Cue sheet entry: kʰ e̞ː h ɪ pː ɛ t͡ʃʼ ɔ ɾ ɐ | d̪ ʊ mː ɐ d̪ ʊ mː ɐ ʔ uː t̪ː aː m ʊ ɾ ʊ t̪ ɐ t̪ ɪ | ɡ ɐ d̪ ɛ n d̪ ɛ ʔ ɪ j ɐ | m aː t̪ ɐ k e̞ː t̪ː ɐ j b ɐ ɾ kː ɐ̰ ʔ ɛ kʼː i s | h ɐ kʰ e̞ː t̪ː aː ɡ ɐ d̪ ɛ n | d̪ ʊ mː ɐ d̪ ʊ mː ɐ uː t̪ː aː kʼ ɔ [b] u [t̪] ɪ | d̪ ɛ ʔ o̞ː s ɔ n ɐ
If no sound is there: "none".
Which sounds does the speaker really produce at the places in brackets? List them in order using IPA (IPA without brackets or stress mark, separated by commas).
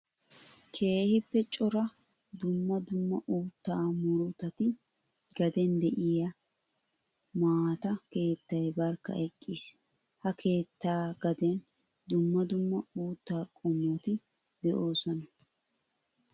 m, t̪